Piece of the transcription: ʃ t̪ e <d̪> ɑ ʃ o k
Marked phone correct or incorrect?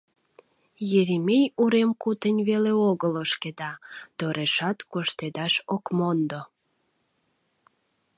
correct